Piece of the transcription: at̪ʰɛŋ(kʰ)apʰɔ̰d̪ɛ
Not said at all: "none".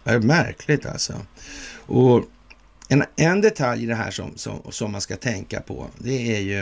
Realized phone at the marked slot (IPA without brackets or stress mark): k